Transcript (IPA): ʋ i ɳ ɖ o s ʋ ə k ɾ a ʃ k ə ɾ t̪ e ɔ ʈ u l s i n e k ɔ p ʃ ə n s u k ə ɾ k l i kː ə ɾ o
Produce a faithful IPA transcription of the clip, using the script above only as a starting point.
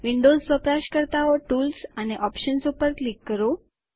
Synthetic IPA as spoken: ʋ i ɳ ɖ o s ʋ ə p ɾ a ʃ k ə ɾ t̪ a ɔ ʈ u l s a n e ʔ ɔ p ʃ ə n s u p ə ɾ k l i kː ə ɾ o

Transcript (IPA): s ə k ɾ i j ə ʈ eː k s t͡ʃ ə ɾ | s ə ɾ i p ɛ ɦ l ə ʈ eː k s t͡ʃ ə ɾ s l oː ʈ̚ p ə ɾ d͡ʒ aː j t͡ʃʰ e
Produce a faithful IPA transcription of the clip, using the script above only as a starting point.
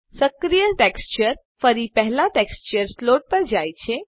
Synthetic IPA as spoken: s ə k ɾ i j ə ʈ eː k s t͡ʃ ə ɾ | f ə ɾ i p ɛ ɦ l a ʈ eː k s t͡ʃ ə ɾ s l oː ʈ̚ p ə ɾ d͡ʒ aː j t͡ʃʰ e

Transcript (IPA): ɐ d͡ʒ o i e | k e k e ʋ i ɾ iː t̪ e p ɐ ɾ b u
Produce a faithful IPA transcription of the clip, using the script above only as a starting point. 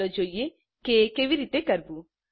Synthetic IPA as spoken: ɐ d͡ʒ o j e | k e k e ʋ i ɾ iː t̪ e k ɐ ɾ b u

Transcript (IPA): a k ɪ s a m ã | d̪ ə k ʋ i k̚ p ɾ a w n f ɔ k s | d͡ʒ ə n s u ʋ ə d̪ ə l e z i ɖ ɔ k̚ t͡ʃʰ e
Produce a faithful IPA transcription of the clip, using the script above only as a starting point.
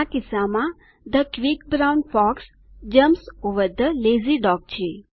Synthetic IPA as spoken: a k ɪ s a m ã | d̪ ə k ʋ i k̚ b ɾ a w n f ɔ k s | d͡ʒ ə m s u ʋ ə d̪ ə l e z i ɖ ɔ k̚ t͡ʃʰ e

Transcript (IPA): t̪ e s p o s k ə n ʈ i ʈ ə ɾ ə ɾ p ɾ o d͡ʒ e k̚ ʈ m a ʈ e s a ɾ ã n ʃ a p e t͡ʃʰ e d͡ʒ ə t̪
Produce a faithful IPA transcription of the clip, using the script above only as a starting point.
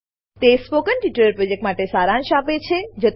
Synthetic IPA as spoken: t̪ e s p o k ə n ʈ i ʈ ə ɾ ə ɾ p ɾ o d͡ʒ e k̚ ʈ m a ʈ e s a ɾ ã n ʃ a p e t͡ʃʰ e d͡ʒ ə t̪

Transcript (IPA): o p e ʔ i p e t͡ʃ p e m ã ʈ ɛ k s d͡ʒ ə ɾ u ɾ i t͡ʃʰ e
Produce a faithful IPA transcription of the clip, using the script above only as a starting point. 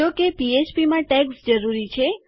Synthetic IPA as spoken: o k e p i e t͡ʃ p i m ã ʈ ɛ k s d͡ʒ ə ɾ u ɾ i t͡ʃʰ e

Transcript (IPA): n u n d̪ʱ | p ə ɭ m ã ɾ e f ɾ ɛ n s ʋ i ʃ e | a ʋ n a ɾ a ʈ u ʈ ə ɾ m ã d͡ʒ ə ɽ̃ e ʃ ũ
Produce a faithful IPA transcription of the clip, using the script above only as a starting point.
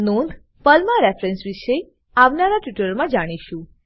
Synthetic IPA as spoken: n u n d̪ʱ | p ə l m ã ɾ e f ɾ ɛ n s ʋ i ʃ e | a ʋ n a ɾ a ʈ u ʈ ə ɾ m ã d͡ʒ a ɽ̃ i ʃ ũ

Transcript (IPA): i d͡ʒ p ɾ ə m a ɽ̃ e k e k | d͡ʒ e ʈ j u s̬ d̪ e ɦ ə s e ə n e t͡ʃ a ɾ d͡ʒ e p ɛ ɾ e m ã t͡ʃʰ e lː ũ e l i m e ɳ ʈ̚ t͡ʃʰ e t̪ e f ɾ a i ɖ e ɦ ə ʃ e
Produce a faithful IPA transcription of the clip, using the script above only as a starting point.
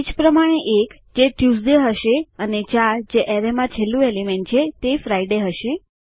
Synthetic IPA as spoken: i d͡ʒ p ɾ ə m a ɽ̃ e ʔ e k | d͡ʒ e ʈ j u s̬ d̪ e ɦ ə ʃ e ə n e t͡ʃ a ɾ d͡ʒ e ʔ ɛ ɾ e m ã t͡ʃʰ e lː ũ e l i m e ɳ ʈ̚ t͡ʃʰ e t̪ e f ɾ a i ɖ e ɦ ə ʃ e

